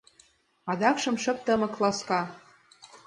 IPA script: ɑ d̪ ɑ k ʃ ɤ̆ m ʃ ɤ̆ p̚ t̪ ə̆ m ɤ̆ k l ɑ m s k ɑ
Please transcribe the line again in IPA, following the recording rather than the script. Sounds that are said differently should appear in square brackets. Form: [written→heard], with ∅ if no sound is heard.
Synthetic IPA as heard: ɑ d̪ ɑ k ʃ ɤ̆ m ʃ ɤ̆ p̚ t̪ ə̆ m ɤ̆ k l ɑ [m→∅] s k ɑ